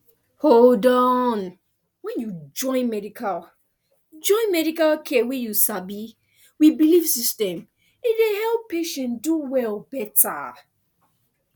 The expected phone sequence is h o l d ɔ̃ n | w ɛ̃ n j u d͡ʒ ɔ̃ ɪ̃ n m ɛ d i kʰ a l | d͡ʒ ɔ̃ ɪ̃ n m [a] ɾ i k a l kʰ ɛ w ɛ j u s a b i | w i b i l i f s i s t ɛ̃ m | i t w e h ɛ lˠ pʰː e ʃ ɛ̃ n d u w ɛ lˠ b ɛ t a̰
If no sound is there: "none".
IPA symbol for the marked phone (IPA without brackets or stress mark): ɛ